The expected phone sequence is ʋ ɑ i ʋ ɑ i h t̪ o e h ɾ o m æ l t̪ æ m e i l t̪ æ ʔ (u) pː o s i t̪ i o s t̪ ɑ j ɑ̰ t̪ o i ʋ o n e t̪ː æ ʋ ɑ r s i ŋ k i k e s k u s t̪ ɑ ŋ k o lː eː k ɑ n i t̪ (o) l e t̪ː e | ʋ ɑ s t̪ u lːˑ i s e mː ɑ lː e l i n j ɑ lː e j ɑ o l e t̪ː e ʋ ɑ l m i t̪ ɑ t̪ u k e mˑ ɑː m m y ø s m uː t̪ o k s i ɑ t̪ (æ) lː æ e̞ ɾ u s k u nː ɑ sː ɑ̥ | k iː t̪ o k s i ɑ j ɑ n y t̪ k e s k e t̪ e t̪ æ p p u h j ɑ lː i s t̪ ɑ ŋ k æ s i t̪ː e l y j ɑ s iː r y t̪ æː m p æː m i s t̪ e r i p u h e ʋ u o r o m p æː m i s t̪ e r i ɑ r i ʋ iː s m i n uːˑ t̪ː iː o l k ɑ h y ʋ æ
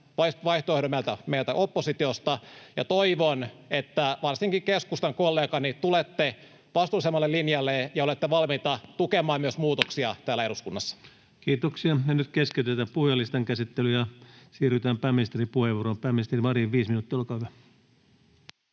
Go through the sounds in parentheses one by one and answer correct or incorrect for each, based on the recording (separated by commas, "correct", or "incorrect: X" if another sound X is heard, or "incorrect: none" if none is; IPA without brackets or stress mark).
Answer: incorrect: o, incorrect: u, incorrect: æː